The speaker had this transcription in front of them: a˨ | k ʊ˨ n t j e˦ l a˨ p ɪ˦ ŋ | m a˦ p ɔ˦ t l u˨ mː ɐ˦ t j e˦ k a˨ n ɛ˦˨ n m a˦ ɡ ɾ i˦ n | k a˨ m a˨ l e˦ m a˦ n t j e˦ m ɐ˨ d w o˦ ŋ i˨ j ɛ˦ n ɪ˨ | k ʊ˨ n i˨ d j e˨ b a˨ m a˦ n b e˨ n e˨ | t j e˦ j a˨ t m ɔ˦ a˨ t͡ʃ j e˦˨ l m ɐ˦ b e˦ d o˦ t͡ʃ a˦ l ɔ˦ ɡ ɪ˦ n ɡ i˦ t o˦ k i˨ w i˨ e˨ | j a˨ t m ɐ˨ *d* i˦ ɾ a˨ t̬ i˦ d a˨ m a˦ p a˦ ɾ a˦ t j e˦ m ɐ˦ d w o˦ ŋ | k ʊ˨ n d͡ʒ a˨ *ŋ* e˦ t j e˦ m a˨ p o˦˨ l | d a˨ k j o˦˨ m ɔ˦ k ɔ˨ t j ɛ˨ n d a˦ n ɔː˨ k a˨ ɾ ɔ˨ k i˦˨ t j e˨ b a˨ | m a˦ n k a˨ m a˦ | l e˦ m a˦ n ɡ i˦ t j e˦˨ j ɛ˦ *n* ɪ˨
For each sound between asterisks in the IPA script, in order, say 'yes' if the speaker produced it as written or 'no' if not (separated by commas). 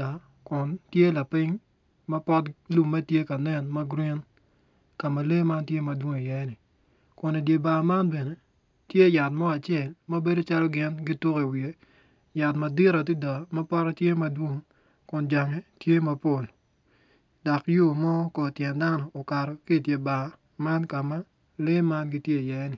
yes, yes, yes